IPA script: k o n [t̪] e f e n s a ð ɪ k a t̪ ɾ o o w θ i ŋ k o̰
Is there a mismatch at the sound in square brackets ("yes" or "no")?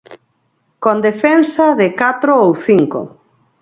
yes